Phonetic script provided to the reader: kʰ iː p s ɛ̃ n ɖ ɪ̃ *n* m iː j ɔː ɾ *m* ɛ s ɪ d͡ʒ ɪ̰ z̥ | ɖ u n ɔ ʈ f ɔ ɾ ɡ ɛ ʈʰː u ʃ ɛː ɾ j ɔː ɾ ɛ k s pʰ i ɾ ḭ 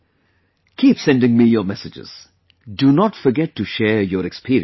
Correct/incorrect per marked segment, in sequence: incorrect: ŋ, correct

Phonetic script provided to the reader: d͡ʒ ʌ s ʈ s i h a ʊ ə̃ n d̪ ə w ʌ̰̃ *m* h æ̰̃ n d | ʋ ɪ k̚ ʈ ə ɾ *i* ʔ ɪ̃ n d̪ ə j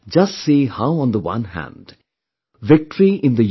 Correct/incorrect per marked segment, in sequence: incorrect: n, correct

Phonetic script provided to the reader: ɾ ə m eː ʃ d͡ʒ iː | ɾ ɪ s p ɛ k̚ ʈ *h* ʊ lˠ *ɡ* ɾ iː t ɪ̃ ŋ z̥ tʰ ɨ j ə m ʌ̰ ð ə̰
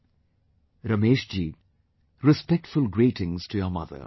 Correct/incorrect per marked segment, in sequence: incorrect: f, correct

